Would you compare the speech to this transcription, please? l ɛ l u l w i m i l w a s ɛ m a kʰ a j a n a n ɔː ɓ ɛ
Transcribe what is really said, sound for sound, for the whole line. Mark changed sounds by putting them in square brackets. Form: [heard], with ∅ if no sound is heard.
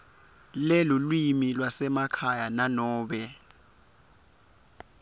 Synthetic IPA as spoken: l ɛ l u l w i m i l w a s ɛ m a kʰ a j a n a n ɔː ɓ ɛ

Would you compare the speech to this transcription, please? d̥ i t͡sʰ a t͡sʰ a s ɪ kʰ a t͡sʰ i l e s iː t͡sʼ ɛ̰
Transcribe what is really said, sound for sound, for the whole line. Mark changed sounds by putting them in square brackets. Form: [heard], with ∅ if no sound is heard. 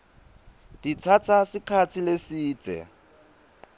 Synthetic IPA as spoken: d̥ i t͡sʰ a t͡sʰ a s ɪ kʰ a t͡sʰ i l e s iː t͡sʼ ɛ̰

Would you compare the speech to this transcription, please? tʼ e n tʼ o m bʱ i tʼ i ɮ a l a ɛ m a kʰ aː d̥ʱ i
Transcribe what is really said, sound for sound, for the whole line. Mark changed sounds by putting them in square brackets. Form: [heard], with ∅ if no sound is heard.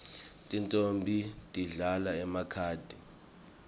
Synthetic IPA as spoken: tʼ [i] n tʼ o m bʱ i tʼ i ɮ a l a ɛ m a kʰ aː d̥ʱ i

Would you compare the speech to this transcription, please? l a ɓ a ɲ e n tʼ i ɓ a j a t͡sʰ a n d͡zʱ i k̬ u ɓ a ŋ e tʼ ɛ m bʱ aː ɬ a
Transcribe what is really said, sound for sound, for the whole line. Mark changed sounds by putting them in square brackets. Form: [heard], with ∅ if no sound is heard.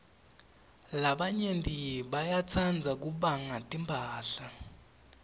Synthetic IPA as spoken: l a ɓ a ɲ e n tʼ i ɓ a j a t͡sʰ a n d͡zʱ [a] k̬ u ɓ a ŋ [a] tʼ [i] m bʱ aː ɬ a

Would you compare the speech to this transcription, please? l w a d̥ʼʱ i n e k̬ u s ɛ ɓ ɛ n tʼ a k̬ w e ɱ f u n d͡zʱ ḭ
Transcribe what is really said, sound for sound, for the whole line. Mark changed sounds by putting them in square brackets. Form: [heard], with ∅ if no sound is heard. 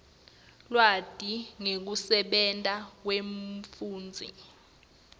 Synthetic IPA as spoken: l w a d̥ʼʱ i [ŋ] e k̬ u s ɛ ɓ ɛ n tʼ a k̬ w e ɱ f [uː] n d͡zʱ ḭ

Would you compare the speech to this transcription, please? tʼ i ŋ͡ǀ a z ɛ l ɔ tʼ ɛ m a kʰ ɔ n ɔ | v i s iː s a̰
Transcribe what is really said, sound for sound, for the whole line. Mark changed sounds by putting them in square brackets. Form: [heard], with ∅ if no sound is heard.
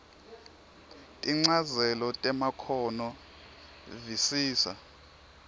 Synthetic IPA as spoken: tʼ i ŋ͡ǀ a z ɛ l ɔ tʼ ɛ m a kʰ ɔ n ɔ | v i s iː s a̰

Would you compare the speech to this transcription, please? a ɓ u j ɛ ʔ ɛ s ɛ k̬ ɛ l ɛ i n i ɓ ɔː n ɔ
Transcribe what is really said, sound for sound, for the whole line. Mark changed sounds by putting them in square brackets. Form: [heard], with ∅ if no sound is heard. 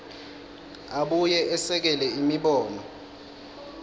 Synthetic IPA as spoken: a ɓ u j ɛ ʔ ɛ s ɛ k̬ ɛ l ɛ i [m] i ɓ ɔː n ɔ

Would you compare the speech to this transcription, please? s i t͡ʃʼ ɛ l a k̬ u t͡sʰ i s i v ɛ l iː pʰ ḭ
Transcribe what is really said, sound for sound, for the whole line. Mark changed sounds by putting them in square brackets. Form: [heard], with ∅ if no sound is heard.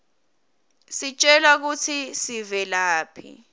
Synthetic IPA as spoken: s i t͡ʃʼ ɛ l a k̬ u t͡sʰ i s i v ɛ l [aː] pʰ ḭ

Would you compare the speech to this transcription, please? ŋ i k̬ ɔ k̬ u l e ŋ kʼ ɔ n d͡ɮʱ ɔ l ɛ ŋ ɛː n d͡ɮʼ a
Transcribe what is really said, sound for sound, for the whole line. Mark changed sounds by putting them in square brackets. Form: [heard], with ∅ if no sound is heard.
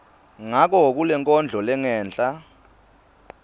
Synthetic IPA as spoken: ŋ [a] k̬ ɔ k̬ u l [ɛ] ŋ kʼ ɔ n d͡ɮʱ ɔ l ɛ ŋ ɛː n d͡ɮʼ a

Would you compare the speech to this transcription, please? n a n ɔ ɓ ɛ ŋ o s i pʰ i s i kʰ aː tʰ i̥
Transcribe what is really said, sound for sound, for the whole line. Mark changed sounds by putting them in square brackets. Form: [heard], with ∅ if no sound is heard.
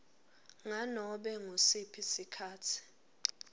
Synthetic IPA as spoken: [ŋ] a n ɔ ɓ ɛ ŋ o s i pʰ i s i kʰ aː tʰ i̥

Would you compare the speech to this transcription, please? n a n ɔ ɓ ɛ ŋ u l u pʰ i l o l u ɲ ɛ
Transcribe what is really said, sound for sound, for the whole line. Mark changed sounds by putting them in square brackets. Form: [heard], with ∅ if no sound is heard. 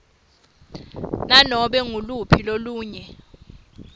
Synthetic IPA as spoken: n a n ɔ ɓ ɛ ŋ u l u pʰ i l o l [uː] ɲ ɛ

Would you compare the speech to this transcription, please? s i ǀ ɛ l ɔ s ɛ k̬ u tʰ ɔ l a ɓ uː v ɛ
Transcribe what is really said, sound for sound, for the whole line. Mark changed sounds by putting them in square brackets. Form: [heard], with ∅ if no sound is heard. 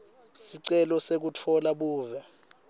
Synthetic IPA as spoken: s i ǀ ɛ l ɔ s [e] k̬ u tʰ ɔ l a ɓ uː v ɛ

